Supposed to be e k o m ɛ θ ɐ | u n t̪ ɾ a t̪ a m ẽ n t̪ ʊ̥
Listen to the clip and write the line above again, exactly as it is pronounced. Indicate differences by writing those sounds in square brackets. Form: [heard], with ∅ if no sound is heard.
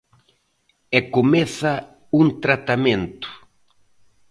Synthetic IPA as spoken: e k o m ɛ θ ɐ | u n t̪ ɾ a t̪ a m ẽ n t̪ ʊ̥

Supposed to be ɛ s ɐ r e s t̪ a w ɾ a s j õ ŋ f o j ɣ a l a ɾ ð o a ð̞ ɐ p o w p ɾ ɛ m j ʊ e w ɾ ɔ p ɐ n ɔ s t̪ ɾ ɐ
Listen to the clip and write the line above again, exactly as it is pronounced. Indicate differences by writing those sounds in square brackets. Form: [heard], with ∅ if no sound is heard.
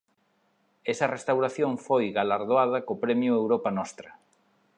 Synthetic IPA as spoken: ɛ s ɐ r e s t̪ a w ɾ a [θ] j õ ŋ f o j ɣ a l a ɾ ð o a ð̞ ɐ [k] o [∅] p ɾ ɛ m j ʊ e w ɾ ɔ p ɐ n ɔ s t̪ ɾ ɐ

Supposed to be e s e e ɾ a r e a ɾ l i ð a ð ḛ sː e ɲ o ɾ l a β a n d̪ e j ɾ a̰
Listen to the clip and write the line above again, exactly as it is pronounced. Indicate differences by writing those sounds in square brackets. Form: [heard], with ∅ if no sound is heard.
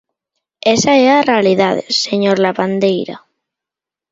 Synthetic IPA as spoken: e s [a] e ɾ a r e a [∅] l i ð a ð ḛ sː e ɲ o ɾ l a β a n d̪ e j ɾ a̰

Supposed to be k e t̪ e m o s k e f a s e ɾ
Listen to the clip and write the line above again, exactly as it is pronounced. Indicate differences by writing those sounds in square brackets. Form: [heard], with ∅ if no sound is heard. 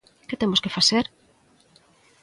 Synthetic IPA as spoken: k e t̪ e m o s k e f a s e ɾ

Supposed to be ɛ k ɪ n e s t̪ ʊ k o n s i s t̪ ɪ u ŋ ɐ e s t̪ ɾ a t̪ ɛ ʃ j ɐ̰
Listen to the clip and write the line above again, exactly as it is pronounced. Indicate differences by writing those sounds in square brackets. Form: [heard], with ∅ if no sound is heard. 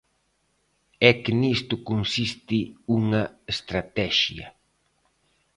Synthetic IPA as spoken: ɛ k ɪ n [i] s t̪ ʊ k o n s i s t̪ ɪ u ŋ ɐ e s t̪ ɾ a t̪ ɛ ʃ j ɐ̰

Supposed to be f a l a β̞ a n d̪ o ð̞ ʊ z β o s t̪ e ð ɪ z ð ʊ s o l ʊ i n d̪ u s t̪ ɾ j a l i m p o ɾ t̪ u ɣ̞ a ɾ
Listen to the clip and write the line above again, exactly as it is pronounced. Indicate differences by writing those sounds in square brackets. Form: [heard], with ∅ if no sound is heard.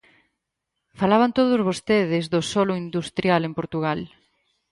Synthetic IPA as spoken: f a l a β̞ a n [t̪] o ð̞ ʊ z β o s t̪ e ð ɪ z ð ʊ s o l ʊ i n d̪ u s t̪ ɾ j a l [e] m p o ɾ t̪ u ɣ̞ a [l]

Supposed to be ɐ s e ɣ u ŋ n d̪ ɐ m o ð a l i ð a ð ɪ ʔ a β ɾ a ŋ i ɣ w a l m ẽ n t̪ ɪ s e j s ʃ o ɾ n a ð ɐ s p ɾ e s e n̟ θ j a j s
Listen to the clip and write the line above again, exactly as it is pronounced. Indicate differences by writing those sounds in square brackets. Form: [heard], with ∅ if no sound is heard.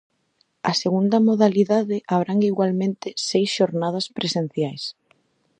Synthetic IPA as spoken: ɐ s e ɣ u [∅] n d̪ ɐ m o ð a l i ð a ð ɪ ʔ a β ɾ a ŋ i ɣ w a l m ẽ n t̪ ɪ s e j s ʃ o ɾ n a ð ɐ s p ɾ e s e n̟ θ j a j s

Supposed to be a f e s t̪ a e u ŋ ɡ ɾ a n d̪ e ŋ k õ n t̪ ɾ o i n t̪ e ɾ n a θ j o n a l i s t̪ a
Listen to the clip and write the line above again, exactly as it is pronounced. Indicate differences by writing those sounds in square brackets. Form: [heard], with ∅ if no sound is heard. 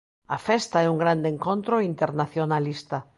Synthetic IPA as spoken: a f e s t̪ a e u ŋ ɡ ɾ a n d̪ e ŋ k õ n t̪ ɾ o i n t̪ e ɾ n a θ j o n a l i s t̪ a

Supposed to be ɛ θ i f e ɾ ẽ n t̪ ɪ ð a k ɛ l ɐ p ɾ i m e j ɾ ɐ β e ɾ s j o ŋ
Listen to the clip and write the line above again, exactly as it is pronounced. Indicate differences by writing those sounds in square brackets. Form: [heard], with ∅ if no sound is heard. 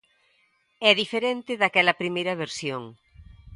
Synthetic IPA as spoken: ɛ [ð] i f e ɾ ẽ n t̪ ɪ ð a k ɛ l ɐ p ɾ i m e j ɾ ɐ β e ɾ s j o ŋ

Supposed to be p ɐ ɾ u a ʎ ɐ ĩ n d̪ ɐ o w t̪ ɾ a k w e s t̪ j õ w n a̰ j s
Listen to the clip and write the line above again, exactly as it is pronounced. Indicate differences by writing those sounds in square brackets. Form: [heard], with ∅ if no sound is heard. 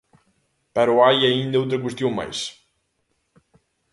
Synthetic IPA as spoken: p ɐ ɾ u a [j] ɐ ĩ n d̪ ɐ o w t̪ ɾ [ɐ] k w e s t̪ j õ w [m] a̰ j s

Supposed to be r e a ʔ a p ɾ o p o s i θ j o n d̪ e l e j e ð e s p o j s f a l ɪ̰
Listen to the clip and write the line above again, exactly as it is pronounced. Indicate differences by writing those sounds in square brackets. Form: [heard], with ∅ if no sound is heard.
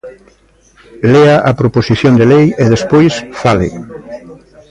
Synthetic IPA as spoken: [l] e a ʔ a p ɾ o p o s i θ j o n d̪ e l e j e ð e s p o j s f a l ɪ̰

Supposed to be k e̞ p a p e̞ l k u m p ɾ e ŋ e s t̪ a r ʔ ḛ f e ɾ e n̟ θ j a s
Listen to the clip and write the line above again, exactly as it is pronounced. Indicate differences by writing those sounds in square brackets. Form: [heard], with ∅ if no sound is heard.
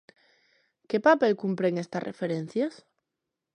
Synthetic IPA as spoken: k e̞ p a p e̞ l k u m p ɾ e ŋ e s t̪ a r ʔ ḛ f e ɾ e n̟ θ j a s

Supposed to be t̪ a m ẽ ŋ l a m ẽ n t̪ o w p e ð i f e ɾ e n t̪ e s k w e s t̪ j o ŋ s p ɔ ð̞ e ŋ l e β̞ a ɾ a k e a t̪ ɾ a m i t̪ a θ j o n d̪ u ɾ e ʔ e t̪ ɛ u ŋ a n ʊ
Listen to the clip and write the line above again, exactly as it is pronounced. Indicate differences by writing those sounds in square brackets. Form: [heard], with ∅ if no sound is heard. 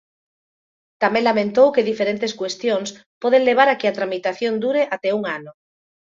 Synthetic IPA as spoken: t̪ a m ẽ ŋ l a m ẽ n t̪ o w [k] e ð i f e ɾ e n t̪ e s k w e s t̪ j o ŋ s p ɔ ð̞ e ŋ l e β̞ a ɾ a k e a t̪ ɾ a m i t̪ a θ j o n d̪ u ɾ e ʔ [a] t̪ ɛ u ŋ a n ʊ

